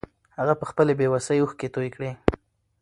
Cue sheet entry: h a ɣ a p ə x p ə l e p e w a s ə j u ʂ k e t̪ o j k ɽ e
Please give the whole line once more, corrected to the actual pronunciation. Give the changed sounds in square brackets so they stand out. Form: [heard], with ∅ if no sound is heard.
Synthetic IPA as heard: h a ɣ a p ə x p ə l e [b] e w a s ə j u [x] k e t̪ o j k ɽ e